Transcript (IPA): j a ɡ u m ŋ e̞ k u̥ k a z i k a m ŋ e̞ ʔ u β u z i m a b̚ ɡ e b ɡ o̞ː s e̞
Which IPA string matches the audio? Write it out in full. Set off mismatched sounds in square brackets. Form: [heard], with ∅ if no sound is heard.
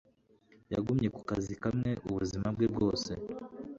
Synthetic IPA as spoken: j a ɡ u m [ɲ] e̞ k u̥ k a z i k a m ŋ e̞ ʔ u β u z i m a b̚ ɡ e b ɡ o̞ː s e̞